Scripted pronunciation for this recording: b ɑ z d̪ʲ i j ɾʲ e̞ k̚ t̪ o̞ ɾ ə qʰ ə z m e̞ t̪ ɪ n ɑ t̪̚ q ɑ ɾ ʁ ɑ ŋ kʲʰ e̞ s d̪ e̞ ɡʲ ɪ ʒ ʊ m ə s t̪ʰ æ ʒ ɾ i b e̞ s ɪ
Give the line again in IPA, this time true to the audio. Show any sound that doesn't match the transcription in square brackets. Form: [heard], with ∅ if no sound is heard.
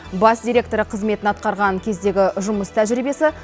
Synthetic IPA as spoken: b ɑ [s] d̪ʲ i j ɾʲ e̞ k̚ t̪ o̞ ɾ ə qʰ ə z m e̞ t̪ ɪ n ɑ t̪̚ q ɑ ɾ ʁ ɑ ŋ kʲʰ e̞ [z] d̪ e̞ ɡʲ ɪ ʒ ʊ m ə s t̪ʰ æ ʒ ɾ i b e̞ s ɪ

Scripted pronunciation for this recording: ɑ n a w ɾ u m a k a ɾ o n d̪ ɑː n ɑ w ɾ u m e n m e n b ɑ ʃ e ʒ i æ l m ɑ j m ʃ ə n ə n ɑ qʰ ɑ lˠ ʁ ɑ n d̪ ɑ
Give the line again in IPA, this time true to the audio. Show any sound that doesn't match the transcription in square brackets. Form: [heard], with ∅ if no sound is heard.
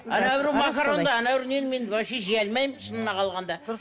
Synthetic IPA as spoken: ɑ n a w ɾ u m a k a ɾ o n d̪ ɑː n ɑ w ɾ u [n] e n m e n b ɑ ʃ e ʒ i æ l m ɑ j m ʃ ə n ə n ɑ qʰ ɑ lˠ ʁ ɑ n d̪ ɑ

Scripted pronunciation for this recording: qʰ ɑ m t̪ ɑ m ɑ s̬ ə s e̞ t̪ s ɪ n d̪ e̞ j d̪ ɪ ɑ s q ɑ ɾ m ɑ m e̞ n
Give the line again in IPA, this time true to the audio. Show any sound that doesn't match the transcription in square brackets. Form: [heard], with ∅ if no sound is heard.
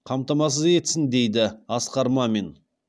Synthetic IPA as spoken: qʰ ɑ m t̪ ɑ m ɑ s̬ ə [z] e̞ t̪ s ɪ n d̪ e̞ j d̪ ɪ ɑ s q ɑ ɾ m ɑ m e̞ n

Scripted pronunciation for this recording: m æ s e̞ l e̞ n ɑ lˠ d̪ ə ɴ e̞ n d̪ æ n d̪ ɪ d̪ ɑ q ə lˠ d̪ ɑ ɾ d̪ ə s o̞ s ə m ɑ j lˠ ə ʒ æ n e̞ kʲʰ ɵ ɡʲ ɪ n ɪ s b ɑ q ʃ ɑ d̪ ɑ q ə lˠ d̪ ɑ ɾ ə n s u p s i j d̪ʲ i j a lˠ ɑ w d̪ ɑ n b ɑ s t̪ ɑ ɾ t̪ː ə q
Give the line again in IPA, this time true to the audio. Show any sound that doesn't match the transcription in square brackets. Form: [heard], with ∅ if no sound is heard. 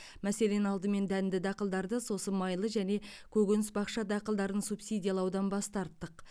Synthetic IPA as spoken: m æ s e̞ l e̞ n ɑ lˠ d̪ ə [m] e̞ n d̪ æ n d̪ ɪ d̪ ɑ q ə lˠ d̪ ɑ ɾ d̪ ə s o̞ s ə m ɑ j lˠ ə ʒ æ n e̞ kʲʰ ɵ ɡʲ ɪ n ɪ s b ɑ q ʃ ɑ d̪ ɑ q ə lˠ d̪ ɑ ɾ ə n s u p s i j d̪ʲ i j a lˠ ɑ w d̪ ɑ n b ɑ s t̪ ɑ ɾ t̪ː ə q

